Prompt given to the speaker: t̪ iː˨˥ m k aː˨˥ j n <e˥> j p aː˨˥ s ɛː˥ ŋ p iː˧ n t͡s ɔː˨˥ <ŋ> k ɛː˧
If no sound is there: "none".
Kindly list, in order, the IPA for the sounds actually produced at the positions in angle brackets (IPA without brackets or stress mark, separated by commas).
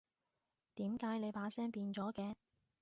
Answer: e˨˧, none